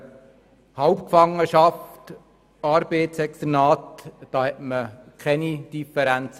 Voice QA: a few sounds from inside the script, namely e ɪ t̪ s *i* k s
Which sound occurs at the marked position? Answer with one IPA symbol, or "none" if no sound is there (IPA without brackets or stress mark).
ɛ